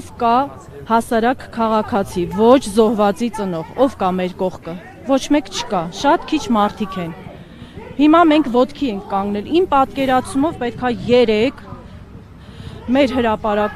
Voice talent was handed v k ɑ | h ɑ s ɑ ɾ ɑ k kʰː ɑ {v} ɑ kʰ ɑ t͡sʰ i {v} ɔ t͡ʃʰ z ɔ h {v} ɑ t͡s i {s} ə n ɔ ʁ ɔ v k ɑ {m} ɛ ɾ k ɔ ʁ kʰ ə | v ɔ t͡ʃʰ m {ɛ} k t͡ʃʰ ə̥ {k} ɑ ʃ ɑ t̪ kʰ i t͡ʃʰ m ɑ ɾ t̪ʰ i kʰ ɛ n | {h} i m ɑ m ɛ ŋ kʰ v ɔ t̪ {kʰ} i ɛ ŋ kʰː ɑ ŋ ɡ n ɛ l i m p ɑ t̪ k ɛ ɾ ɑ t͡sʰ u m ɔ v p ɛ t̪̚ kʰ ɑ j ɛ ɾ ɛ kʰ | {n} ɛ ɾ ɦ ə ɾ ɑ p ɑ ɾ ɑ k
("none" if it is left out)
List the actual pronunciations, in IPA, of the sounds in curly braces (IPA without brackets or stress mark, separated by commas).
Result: ʁ, v, v, t͡s, m, ɛ, k, h, kʰ, m